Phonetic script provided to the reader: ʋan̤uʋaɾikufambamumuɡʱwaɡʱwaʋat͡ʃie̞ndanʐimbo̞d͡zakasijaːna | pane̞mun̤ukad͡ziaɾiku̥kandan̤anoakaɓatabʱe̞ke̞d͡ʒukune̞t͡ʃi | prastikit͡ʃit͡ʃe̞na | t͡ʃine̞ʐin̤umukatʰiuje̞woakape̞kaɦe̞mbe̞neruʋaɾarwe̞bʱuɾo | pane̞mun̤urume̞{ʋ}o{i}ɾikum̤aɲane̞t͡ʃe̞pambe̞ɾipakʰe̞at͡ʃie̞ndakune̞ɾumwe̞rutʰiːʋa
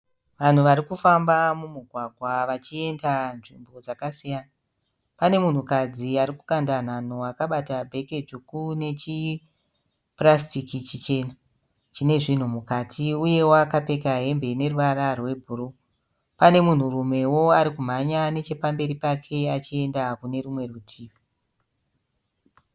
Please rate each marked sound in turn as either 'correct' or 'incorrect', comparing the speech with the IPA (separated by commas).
incorrect, incorrect